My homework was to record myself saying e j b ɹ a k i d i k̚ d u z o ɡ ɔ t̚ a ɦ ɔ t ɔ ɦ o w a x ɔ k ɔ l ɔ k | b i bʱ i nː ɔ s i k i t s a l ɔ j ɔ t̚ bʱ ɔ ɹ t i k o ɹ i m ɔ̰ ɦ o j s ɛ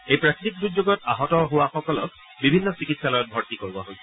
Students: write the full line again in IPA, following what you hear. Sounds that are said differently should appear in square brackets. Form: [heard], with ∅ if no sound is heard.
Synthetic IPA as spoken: e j [p] ɹ a k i [t] i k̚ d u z o ɡ ɔ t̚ a ɦ ɔ t ɔ ɦ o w a x ɔ k ɔ l ɔ k | b i bʱ i nː ɔ s i k i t s a l ɔ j ɔ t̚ bʱ ɔ ɹ t i k o ɹ i [b] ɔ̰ ɦ o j s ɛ